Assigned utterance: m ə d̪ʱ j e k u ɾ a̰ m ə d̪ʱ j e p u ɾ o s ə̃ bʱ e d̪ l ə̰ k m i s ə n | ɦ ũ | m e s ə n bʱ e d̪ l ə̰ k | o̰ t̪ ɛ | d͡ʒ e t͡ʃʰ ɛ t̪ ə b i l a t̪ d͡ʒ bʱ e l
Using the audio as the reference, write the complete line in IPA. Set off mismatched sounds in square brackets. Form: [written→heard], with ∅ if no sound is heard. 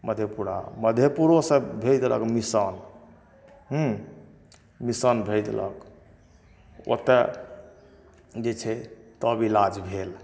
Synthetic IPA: m ə d̪ʱ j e [k→p] u ɾ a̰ m ə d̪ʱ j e p u ɾ o s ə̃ bʱ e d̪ l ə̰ k m i s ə n | ɦ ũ | m [e→i] s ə n bʱ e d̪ l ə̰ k | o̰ t̪ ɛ | d͡ʒ e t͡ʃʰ ɛ t̪ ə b i l a [t̪→∅] d͡ʒ bʱ e l